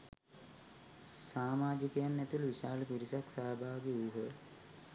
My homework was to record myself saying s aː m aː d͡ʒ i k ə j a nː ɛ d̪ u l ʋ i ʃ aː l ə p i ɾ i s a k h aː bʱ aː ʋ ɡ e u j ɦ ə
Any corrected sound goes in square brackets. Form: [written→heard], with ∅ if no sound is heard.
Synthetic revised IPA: s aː m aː d͡ʒ i k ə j a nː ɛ [d̪→t̪] u l ʋ i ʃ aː l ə p i ɾ i s a k [h→s] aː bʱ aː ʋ ɡ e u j ɦ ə